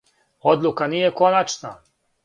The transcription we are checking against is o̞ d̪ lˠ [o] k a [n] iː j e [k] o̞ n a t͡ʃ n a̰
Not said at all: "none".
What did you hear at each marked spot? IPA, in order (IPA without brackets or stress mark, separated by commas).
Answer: u, n, k